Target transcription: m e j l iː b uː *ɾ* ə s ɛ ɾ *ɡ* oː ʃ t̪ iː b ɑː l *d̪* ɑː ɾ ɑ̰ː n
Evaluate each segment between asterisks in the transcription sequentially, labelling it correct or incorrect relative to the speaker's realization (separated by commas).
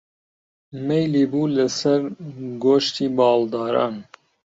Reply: incorrect, correct, correct